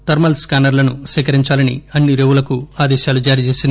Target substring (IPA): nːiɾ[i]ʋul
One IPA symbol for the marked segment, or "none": e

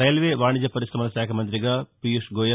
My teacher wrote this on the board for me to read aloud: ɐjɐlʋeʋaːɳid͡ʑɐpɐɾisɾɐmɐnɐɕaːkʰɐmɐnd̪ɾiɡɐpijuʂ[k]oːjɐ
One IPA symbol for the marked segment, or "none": ɡ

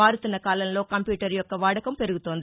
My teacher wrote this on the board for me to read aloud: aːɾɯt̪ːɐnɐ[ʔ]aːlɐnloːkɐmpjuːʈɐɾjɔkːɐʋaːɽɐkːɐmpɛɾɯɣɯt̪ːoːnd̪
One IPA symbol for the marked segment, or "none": k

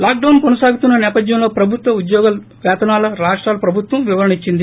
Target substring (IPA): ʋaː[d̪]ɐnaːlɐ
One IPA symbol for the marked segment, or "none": t̪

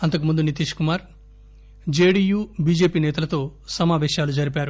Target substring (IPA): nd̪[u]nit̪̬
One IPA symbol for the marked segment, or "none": u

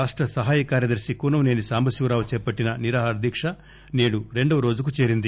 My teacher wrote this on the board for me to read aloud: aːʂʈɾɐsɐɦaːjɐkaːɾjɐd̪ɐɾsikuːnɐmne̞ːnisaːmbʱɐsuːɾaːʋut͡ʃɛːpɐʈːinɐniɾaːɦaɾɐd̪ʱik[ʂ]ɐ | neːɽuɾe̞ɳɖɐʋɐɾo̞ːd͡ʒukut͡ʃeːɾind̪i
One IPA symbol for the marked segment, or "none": ʂ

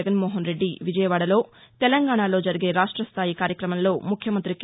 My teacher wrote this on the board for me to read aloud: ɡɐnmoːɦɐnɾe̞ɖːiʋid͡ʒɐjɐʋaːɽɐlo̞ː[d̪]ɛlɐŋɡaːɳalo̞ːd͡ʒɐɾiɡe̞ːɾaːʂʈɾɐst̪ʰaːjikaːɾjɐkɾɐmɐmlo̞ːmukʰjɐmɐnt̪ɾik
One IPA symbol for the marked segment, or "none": t̪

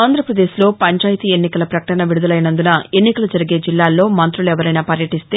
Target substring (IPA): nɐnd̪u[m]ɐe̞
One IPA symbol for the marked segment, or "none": n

